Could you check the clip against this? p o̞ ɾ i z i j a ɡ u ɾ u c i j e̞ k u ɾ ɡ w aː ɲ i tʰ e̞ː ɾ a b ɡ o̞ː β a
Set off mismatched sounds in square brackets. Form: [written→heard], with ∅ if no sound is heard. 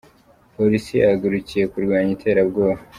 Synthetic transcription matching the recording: p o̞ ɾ i [z→s] i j a ɡ u ɾ u c i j e̞ k u ɾ ɡ w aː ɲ i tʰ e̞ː ɾ a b ɡ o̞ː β a